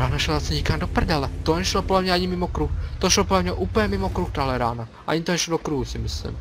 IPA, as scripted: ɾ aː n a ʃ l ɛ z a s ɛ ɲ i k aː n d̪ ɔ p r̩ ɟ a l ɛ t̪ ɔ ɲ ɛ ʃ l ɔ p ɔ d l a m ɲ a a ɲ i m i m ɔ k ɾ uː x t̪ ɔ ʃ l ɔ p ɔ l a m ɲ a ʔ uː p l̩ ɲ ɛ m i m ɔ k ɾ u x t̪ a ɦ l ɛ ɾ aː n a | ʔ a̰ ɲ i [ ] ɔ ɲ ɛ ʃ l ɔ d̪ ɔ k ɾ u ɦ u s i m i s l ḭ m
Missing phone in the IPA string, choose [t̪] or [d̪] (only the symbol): t̪